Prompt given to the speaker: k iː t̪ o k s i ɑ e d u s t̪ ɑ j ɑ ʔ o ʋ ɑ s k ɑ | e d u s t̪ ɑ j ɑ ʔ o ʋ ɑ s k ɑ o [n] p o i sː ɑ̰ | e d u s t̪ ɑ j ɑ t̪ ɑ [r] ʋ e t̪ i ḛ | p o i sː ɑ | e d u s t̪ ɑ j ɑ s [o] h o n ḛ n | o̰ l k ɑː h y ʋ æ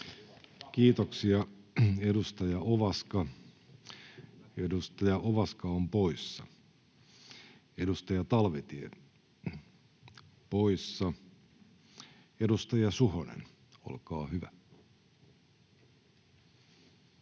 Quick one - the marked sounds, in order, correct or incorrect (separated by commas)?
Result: incorrect, incorrect, incorrect